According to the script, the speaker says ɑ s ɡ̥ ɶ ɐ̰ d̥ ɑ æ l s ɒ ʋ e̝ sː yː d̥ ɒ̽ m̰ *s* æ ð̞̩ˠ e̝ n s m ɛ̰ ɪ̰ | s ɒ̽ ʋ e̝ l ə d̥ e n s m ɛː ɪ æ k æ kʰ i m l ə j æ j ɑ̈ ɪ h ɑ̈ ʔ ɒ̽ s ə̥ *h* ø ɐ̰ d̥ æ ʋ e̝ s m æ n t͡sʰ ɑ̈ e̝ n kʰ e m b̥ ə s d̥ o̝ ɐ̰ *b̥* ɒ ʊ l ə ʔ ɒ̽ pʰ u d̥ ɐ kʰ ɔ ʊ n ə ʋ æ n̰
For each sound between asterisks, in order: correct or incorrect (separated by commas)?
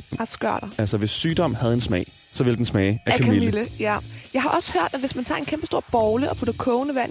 incorrect, correct, correct